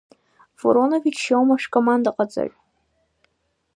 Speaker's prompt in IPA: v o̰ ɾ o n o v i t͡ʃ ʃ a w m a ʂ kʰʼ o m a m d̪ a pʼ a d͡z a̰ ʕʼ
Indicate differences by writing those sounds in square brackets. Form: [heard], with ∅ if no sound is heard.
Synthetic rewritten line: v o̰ ɾ o n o v i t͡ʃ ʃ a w m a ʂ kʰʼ o m a [n] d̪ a [qʼ] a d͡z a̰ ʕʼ